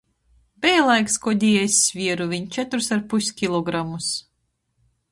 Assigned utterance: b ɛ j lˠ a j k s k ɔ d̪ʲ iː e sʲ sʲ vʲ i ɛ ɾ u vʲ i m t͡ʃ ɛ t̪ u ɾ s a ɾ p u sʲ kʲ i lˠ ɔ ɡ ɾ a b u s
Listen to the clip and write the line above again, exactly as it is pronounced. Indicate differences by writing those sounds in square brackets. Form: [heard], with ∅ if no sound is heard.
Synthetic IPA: b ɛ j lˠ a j k s k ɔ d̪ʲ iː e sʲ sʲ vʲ i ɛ ɾ u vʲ i [ɲ] t͡ʃ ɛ t̪ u ɾ s a ɾ p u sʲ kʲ i lˠ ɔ ɡ ɾ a [m] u s